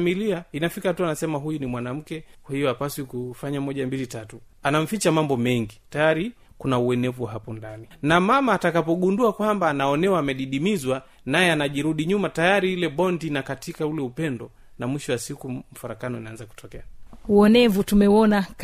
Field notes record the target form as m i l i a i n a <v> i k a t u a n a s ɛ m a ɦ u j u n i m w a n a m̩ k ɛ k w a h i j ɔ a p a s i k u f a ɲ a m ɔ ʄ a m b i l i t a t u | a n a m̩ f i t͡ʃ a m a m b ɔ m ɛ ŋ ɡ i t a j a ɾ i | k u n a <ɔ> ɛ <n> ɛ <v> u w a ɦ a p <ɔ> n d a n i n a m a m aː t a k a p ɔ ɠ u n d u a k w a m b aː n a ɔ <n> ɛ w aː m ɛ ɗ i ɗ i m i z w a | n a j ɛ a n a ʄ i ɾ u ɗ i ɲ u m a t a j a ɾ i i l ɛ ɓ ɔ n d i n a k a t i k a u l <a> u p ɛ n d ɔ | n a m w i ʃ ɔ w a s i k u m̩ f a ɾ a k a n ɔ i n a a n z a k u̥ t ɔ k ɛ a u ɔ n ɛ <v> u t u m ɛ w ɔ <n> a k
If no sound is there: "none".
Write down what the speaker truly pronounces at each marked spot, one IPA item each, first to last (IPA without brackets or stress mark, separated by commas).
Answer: f, u, n, v, ɔ, n, ɛ, v, n